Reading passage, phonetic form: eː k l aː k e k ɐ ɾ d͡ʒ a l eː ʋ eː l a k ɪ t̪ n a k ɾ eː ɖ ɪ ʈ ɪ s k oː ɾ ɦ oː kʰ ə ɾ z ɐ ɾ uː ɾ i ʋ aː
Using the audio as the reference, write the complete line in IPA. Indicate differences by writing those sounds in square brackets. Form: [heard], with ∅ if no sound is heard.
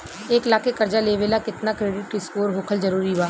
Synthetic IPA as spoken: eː k l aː k e k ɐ ɾ d͡ʒ a l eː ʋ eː l a k ɪ t̪ n a k ɾ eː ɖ ɪ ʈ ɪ s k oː ɾ ɦ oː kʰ ə [l] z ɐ ɾ uː ɾ i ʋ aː